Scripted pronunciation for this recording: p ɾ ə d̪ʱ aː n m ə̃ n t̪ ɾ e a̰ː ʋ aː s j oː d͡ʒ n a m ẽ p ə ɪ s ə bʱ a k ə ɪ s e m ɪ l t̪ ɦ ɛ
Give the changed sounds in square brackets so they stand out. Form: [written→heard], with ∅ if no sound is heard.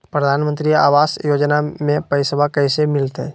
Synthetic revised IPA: p ɾ ə d̪ʱ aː n m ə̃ n t̪ ɾ [e→i] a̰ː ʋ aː s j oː d͡ʒ n a m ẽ p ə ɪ s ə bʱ a k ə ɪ s e m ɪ l t̪ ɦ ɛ

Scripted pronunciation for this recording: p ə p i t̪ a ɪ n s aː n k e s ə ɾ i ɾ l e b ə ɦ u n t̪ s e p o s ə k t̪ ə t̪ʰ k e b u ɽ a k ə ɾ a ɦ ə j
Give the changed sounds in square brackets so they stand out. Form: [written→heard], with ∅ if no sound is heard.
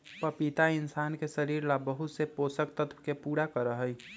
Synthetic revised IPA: p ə p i t̪ a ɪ n s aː n k e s ə ɾ i ɾ l [e→a] b ə ɦ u [n→∅] t̪ s e p o s ə k t̪ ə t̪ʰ k e [b→p] u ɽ a k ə ɾ [a→ə] ɦ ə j

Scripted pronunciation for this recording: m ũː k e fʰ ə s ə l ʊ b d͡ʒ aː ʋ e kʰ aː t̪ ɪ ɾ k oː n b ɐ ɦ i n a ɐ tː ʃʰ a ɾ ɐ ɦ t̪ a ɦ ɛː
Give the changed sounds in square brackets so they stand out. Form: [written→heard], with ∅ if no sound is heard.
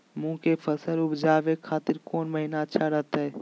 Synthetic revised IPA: m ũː k e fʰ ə s ə l ʊ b d͡ʒ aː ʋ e kʰ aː t̪ ɪ ɾ k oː n [b→m] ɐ ɦ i n a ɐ tː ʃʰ a ɾ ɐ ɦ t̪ a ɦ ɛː

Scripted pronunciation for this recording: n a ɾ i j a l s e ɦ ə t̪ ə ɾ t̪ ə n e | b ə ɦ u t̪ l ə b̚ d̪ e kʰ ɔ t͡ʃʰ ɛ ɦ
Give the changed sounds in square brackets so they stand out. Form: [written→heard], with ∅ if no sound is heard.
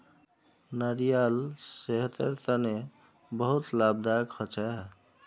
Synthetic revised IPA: n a ɾ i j a l s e ɦ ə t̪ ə ɾ t̪ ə n e | b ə ɦ u t̪ l [ə→a] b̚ d̪ [e→a] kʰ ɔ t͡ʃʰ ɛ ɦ

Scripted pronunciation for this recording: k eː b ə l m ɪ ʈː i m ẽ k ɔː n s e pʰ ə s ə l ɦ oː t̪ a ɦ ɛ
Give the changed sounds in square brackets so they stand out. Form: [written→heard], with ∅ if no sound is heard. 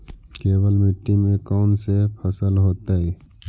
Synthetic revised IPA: k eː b ə l m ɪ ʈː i m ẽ k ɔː n s e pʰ ə s ə l ɦ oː t̪ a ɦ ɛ

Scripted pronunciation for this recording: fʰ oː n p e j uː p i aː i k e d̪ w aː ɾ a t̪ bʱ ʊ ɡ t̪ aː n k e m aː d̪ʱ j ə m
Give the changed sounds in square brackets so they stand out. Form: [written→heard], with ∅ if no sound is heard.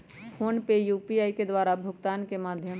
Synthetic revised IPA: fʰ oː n p e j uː p i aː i k e d̪ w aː ɾ a [t̪→∅] bʱ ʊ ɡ t̪ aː n k e m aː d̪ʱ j ə m

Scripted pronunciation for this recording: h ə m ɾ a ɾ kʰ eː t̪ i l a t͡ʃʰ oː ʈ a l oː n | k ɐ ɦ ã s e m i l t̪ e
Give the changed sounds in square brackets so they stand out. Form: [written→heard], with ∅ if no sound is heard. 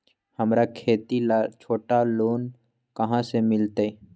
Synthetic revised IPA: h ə m ɾ a [ɾ→∅] kʰ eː t̪ i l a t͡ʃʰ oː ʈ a l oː n | k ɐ ɦ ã s e m [i→ɪ] l t̪ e

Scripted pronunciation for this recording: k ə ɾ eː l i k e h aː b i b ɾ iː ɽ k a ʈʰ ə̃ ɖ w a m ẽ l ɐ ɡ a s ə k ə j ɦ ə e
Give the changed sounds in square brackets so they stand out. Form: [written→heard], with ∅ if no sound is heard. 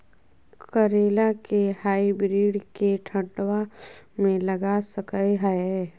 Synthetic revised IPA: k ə ɾ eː l [i→a] k e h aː [b→∅] i b ɾ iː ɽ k [a→e] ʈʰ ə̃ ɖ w a m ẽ l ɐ ɡ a s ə k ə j ɦ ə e

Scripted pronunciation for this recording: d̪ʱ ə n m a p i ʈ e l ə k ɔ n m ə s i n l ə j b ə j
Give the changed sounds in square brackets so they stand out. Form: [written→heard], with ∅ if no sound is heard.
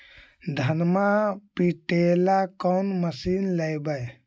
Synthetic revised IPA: d̪ʱ ə n m a p i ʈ e l [ə→a] k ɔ n m ə s i n l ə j b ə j

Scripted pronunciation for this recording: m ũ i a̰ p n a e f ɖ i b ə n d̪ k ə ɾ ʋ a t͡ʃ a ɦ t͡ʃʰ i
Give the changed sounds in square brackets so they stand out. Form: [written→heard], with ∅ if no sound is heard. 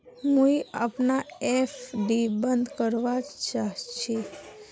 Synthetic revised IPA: m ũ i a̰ p n a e f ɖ i b ə n d̪ k ə ɾ ʋ a t͡ʃ a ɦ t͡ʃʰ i

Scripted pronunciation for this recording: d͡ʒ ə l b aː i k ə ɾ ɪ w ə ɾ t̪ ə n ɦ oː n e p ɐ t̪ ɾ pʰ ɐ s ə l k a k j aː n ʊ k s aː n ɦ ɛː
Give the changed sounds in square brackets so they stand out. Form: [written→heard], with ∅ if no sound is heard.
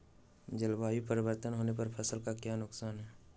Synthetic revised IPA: d͡ʒ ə l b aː i [k→p] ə ɾ ɪ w ə ɾ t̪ ə n ɦ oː n e p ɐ [t̪→∅] ɾ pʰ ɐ s ə l k a k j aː n ʊ k s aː n ɦ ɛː

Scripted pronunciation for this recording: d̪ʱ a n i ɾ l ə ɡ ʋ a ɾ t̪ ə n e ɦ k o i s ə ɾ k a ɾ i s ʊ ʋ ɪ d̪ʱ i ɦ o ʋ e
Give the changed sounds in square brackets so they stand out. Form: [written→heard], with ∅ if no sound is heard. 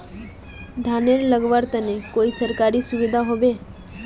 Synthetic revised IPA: d̪ʱ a n [i→e] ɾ l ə ɡ ʋ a ɾ t̪ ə n e [ɦ→∅] k o i s ə ɾ k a ɾ i s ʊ ʋ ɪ d̪ʱ [i→a] ɦ o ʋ e

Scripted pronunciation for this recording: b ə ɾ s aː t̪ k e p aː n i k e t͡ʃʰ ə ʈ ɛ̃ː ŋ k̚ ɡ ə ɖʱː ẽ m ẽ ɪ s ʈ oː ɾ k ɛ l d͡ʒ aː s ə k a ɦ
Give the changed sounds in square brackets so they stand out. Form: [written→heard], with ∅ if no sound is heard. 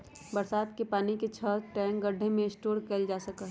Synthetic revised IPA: b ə ɾ s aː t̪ k e p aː n i k e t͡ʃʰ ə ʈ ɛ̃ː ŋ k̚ ɡ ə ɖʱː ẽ m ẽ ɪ s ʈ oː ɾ k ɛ l d͡ʒ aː s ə k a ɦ

